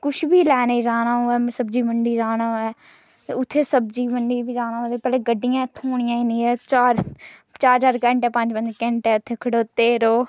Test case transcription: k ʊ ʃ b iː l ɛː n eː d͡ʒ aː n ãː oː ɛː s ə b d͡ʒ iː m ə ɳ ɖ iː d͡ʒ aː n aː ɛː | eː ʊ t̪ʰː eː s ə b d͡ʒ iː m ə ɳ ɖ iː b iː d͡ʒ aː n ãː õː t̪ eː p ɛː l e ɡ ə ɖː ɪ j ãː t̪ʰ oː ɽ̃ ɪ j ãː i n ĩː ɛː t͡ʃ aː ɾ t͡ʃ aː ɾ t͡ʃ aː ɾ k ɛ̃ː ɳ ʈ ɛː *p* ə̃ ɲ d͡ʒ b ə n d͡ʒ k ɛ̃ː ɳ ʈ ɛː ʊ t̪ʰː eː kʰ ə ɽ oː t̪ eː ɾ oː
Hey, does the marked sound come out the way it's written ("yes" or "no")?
yes